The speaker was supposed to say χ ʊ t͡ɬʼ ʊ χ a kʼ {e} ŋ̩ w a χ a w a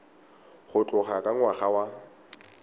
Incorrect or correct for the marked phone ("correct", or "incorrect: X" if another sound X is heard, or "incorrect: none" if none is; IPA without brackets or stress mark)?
incorrect: a